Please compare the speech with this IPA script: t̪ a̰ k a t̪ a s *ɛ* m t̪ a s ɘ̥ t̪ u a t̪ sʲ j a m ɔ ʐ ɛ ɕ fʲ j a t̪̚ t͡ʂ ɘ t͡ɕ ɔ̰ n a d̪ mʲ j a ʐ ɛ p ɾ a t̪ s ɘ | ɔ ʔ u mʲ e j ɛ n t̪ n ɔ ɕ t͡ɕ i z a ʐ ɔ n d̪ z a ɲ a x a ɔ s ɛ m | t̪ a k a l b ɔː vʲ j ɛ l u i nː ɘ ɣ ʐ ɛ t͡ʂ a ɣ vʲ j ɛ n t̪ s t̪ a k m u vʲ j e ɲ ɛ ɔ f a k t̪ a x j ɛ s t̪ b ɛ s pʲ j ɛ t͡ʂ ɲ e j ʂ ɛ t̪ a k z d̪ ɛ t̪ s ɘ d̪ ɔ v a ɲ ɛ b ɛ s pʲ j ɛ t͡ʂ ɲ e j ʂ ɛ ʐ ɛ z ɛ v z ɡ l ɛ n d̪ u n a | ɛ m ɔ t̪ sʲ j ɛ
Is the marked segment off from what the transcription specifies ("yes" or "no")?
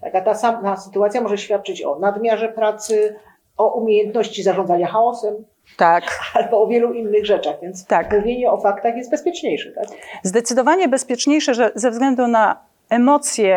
yes